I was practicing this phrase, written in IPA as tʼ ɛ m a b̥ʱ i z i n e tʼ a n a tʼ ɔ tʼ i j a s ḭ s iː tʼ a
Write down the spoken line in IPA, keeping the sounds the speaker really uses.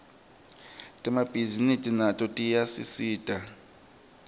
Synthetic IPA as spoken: tʼ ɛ m a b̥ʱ i z i n i tʼ i n a tʼ ɔ tʼ i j a s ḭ s iː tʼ a

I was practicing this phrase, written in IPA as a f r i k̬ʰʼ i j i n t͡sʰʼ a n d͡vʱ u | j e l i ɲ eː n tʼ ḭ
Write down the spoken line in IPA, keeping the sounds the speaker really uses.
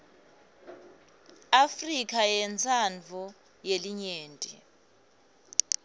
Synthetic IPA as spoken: a f r i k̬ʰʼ a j ɛ n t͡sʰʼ a n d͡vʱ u | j e l i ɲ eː n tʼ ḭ

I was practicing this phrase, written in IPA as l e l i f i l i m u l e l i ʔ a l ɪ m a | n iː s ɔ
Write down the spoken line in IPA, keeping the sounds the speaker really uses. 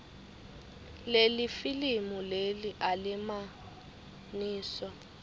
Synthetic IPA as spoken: l e l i f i l i m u l e l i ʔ a l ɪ m a | n iː s ɔ

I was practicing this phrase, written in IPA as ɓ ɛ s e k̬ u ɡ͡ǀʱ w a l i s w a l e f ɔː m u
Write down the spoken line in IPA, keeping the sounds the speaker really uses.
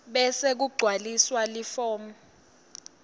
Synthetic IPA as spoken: ɓ ɛ s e k̬ u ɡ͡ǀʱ w a l i s w a l i f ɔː m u

